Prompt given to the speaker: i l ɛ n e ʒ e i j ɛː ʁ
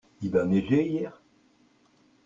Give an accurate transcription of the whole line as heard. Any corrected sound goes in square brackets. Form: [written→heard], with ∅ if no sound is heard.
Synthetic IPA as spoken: i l [ɛ→a] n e ʒ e i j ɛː ʁ